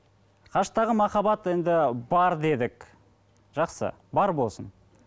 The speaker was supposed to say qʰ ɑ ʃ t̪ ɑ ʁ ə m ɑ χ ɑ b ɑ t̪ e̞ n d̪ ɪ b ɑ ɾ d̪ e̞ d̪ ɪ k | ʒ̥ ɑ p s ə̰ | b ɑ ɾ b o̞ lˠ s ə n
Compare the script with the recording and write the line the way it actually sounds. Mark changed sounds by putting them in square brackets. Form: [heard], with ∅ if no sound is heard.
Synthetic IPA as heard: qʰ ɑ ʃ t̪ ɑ ʁ ə m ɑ χ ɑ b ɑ t̪ e̞ n d̪ ɪ b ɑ ɾ d̪ e̞ d̪ ɪ k | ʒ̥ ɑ [q] s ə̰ | b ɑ ɾ b o̞ lˠ s ə n